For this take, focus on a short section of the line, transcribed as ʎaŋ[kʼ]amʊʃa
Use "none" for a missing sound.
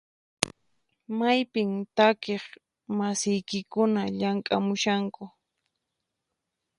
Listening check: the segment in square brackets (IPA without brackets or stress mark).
kʼ